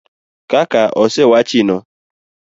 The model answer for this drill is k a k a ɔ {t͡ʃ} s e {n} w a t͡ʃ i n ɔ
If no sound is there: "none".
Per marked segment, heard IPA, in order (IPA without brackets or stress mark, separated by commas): none, none